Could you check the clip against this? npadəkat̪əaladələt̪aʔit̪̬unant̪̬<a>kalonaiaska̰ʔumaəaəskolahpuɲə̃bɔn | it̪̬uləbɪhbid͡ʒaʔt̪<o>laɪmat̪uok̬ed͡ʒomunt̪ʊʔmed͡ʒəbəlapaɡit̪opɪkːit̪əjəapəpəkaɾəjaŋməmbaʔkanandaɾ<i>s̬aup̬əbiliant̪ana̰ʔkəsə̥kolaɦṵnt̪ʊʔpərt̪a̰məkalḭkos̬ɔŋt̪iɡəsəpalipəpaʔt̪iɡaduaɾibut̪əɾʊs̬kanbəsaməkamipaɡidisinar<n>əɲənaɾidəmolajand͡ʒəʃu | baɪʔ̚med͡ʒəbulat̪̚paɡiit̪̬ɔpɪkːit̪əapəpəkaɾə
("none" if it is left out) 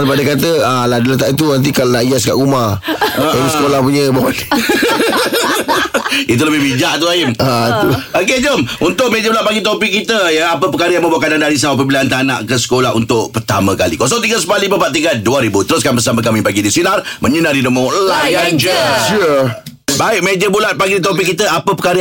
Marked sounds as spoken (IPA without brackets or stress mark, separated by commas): i, u, i, m